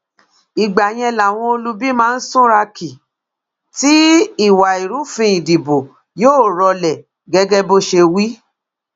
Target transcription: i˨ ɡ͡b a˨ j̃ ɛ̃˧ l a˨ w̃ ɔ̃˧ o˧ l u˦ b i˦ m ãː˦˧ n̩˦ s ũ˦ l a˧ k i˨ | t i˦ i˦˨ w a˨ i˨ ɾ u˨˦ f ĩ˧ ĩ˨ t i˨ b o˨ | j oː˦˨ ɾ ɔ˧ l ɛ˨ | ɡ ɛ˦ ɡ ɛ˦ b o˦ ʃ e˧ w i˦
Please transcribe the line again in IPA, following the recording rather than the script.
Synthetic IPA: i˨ ɡ͡b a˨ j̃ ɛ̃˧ l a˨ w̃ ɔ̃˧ o˧ l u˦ b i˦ m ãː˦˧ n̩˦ s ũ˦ ɾ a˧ k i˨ | t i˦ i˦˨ w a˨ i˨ ɾ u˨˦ f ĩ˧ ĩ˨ d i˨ b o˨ | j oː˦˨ ɾ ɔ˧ l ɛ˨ | ɡ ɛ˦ ɡ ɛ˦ b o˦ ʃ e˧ w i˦